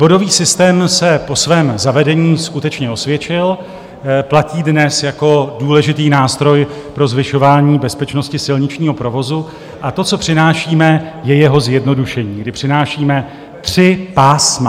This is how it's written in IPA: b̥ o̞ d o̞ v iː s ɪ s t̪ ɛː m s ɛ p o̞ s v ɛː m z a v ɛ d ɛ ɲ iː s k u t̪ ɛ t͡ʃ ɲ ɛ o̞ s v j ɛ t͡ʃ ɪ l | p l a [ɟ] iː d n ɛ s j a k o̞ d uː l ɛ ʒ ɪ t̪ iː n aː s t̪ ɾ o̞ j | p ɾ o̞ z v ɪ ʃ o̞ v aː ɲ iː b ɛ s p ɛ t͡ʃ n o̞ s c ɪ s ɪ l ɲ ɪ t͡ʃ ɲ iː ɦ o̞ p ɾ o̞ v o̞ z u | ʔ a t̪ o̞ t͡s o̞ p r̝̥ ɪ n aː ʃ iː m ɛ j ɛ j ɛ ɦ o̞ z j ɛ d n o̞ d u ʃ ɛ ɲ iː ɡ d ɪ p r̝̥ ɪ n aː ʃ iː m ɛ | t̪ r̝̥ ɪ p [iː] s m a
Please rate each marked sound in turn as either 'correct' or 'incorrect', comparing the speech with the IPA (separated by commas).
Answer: incorrect, incorrect